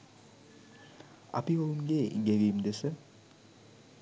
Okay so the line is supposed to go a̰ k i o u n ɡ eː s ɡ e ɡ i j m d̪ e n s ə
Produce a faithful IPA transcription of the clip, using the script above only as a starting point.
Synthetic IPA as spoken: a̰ p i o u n ɡ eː ɡ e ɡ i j m d̪ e s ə